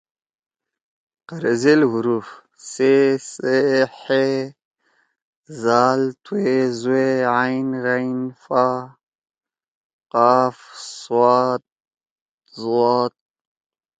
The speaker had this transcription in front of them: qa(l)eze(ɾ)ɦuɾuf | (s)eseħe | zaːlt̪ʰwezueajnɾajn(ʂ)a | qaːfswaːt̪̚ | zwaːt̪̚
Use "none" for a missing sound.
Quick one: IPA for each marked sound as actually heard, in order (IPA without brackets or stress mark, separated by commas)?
ɾ, l, s, f